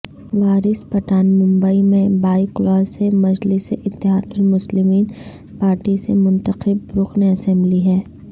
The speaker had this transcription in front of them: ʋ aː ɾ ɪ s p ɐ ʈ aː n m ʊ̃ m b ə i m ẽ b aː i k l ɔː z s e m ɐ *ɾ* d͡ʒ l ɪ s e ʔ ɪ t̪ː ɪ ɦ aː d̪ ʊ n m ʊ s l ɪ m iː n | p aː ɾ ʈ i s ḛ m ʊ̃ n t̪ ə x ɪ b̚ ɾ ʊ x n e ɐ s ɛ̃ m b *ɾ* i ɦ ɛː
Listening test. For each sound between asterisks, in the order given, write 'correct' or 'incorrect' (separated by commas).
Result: incorrect, incorrect